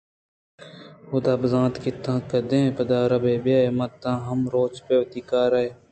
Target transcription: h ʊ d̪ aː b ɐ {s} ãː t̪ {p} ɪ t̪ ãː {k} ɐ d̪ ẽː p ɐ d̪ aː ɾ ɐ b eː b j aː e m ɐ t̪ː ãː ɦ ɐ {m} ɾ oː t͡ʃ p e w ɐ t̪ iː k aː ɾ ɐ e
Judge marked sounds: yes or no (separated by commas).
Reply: no, no, yes, yes